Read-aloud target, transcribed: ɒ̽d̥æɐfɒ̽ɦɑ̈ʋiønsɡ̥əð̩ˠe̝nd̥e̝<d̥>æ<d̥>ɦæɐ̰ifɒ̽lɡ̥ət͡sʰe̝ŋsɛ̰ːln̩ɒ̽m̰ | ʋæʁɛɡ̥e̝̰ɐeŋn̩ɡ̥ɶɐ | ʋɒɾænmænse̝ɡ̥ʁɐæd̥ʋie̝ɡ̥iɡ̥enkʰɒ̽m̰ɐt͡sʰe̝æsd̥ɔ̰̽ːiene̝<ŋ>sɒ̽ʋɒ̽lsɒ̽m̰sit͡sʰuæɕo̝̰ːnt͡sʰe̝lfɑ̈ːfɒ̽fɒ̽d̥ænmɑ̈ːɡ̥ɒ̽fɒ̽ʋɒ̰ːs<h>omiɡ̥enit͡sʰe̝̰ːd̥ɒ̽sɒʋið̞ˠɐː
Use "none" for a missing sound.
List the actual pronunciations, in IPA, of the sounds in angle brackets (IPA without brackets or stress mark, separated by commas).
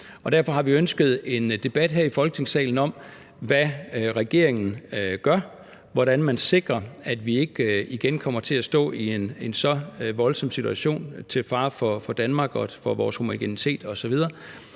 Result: b̥, d̥, n, h